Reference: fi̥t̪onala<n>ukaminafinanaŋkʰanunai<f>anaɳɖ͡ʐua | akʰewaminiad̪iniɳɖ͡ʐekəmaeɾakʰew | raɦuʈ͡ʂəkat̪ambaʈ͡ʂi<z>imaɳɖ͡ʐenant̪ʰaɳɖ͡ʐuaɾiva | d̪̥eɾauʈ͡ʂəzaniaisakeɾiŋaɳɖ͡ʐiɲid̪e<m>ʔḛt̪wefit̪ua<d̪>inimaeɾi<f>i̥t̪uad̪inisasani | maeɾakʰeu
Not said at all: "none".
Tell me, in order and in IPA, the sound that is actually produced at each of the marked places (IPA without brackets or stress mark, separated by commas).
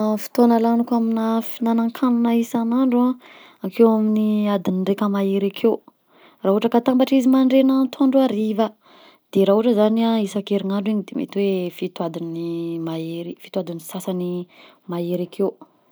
n, s, z, m, d̪, f